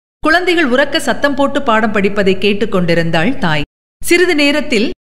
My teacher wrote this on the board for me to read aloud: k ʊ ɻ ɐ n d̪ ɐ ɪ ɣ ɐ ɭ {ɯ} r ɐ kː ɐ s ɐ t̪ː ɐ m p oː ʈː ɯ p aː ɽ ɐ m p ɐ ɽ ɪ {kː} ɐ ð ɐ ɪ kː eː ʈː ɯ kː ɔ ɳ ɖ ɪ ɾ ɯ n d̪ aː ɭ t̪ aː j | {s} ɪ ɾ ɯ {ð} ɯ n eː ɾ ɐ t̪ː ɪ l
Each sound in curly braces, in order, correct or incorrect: incorrect, incorrect, correct, correct

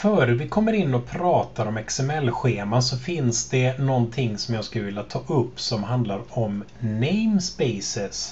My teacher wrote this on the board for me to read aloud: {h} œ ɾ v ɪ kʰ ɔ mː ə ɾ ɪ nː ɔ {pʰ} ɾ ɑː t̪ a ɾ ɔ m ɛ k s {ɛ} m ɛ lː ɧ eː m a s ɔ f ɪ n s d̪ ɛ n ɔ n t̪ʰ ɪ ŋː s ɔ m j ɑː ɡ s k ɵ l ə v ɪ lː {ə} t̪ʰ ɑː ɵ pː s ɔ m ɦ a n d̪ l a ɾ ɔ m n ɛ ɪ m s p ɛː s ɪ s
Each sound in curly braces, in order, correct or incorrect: incorrect, correct, correct, incorrect

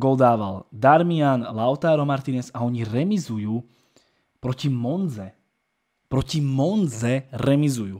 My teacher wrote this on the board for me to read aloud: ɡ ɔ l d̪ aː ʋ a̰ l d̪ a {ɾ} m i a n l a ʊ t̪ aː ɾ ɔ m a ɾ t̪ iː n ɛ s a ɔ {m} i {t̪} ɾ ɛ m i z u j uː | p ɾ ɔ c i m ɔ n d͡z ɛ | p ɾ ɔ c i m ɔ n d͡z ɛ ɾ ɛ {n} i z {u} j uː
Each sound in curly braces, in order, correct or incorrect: correct, incorrect, incorrect, incorrect, correct

